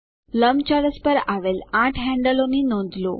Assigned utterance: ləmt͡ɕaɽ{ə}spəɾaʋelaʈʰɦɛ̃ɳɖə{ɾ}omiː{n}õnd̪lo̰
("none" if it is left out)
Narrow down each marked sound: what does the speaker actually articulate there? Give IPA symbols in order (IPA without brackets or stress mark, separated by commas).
ə, l, n